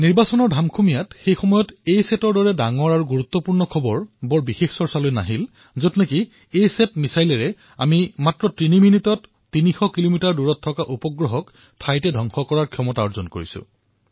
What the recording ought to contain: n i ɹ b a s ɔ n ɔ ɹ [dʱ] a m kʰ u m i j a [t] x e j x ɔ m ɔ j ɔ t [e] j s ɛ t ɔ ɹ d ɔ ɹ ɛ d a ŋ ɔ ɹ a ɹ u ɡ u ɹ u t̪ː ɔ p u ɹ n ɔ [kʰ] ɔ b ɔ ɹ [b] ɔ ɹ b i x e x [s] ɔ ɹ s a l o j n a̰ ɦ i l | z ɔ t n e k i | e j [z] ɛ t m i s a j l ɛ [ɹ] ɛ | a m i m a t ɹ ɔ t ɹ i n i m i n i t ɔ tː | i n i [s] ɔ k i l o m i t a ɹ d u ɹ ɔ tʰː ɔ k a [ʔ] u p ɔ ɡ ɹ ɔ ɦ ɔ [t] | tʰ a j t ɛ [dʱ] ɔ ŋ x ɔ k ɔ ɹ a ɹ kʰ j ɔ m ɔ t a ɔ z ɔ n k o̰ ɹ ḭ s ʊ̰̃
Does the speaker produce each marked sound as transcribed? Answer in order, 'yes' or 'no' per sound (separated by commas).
yes, yes, yes, yes, yes, yes, no, yes, no, yes, no, yes